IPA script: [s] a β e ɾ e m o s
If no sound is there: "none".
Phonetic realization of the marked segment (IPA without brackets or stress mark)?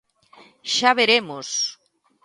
ʃ